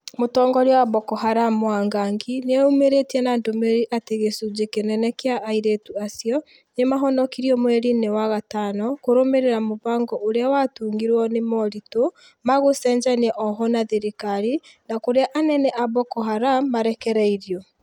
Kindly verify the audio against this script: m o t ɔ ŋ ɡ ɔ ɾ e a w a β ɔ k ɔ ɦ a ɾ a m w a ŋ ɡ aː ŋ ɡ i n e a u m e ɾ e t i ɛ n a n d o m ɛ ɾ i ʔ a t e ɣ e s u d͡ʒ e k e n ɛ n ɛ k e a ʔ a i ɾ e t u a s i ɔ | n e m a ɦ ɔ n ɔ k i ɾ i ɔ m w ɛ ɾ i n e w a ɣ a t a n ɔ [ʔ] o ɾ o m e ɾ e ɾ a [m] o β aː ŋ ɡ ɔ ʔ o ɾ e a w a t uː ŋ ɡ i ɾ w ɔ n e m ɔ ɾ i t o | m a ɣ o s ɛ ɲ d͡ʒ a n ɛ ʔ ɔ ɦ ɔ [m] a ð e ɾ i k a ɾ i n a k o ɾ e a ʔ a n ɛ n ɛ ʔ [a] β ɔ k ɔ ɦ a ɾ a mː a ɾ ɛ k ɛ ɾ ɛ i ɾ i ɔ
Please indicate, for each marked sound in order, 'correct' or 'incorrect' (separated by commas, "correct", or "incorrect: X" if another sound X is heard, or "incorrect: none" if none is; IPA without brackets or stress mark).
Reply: incorrect: k, correct, incorrect: n, correct